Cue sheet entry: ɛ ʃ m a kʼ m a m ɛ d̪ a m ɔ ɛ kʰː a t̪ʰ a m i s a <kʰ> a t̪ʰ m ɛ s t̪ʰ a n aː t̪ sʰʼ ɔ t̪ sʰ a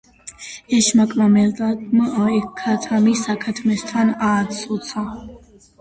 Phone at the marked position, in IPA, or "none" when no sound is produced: kʰ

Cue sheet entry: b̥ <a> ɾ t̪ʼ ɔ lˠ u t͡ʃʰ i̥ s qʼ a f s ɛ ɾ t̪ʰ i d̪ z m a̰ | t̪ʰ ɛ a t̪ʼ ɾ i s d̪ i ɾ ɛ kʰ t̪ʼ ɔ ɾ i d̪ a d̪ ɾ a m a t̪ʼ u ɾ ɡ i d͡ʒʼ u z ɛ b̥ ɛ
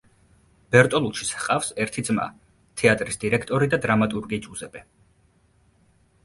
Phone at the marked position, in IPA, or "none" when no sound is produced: ɛ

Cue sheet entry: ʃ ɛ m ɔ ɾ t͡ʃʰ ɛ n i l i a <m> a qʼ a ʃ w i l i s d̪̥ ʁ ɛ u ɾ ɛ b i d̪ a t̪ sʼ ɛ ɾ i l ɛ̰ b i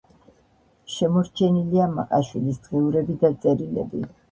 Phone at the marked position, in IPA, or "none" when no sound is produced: m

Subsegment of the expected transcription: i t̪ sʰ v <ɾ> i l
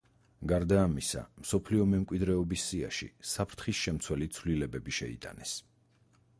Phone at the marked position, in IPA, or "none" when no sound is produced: l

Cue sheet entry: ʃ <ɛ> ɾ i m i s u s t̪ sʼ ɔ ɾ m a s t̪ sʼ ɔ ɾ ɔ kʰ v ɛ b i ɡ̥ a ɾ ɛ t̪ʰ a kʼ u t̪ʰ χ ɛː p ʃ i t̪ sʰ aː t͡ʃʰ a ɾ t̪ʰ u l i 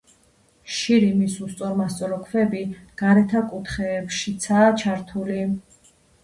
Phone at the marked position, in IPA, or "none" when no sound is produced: i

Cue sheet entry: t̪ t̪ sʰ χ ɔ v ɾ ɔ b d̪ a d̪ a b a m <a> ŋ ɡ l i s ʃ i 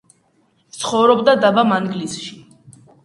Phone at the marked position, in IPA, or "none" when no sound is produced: a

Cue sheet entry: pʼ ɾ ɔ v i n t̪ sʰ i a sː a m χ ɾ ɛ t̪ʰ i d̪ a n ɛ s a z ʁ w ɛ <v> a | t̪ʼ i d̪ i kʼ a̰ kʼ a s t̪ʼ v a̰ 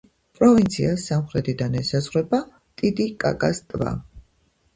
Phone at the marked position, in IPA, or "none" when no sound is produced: b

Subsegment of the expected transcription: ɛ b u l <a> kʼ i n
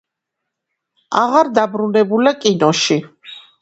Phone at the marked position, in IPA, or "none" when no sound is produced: a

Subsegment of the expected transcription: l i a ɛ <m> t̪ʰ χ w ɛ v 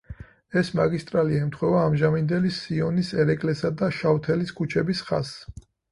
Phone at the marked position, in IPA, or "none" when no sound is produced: m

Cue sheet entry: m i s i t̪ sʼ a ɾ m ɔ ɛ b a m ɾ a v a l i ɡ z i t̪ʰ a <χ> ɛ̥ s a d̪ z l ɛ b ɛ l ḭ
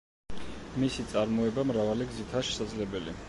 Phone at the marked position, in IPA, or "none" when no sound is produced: ʃ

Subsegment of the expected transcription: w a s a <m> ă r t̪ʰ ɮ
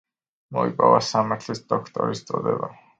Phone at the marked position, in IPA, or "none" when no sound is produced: m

